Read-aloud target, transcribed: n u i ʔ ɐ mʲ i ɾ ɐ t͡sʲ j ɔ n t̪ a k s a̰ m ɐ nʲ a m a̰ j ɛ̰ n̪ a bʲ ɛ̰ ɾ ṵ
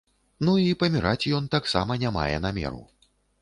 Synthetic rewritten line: n u i p ɐ mʲ i ɾ a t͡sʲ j ɔ n t̪ a k s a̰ m ɐ nʲ a m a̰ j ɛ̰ n̪ a mʲ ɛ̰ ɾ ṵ